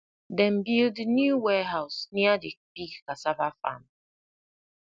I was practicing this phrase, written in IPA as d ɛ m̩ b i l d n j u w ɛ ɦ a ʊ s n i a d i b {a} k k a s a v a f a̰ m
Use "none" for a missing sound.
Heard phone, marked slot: i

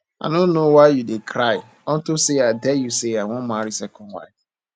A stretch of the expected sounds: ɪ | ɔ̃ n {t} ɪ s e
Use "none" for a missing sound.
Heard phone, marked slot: t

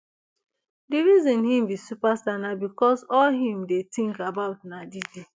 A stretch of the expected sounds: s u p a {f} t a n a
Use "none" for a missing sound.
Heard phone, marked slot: s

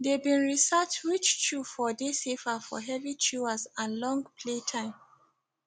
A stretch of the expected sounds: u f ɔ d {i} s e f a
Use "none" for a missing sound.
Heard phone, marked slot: e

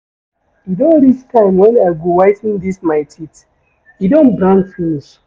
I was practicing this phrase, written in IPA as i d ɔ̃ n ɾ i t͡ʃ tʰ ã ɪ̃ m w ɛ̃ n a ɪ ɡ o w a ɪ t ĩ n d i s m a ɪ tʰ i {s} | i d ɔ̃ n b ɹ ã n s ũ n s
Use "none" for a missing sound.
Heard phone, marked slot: t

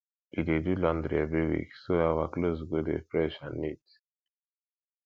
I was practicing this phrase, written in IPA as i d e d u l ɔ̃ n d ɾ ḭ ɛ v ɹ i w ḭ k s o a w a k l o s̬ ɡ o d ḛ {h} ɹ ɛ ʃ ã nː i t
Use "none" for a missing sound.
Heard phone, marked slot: f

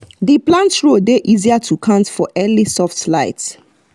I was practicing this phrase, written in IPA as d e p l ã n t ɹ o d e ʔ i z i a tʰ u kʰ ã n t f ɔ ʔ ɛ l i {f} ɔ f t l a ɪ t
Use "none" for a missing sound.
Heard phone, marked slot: s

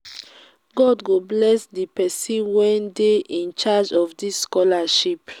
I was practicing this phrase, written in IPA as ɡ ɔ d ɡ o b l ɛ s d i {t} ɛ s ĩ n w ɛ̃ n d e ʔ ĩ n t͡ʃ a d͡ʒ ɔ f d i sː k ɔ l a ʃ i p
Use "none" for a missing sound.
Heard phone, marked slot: p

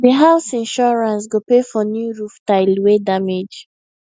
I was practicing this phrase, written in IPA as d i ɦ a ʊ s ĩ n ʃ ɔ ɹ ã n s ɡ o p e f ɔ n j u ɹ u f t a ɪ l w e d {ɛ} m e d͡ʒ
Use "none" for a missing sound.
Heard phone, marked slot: a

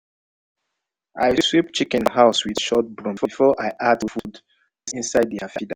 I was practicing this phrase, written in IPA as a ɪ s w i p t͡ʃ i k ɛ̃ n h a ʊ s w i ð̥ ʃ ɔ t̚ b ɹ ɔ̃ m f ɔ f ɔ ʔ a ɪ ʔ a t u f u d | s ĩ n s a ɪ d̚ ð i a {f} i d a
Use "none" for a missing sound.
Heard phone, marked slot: f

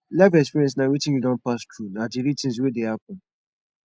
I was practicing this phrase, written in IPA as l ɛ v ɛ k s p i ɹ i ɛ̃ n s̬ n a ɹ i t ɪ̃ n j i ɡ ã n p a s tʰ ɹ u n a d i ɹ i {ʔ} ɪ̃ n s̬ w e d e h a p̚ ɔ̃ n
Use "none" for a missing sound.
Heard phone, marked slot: t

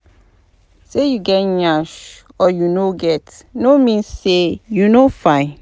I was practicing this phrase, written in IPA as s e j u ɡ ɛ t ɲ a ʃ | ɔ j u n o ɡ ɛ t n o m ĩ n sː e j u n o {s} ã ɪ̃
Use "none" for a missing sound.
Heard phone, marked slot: f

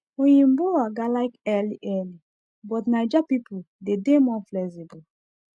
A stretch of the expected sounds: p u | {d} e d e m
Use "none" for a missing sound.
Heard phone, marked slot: d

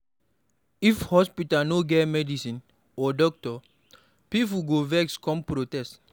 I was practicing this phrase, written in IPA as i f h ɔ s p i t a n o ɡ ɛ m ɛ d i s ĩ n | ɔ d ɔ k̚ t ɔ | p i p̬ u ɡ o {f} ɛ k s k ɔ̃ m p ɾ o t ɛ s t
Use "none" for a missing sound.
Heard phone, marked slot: v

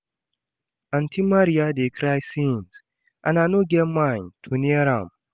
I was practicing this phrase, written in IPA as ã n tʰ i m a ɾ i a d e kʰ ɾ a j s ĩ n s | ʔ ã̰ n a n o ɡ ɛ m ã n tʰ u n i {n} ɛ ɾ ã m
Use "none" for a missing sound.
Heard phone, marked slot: none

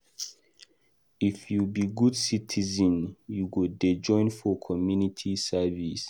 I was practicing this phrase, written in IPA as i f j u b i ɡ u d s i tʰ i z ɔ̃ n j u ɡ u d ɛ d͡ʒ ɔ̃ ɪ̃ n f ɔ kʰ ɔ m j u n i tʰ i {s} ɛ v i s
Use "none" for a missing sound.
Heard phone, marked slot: s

